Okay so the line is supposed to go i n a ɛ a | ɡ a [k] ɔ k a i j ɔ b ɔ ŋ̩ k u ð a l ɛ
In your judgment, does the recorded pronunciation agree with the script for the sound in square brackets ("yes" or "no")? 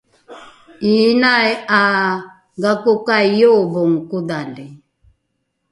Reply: yes